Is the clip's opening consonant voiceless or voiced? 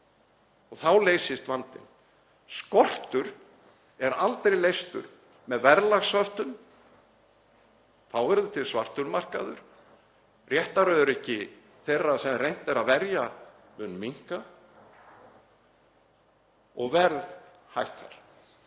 voiced